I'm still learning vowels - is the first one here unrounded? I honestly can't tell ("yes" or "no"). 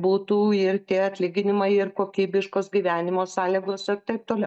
no